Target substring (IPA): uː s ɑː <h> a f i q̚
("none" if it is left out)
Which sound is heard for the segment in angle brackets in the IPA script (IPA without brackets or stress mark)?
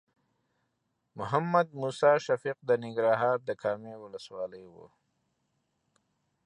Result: ʃ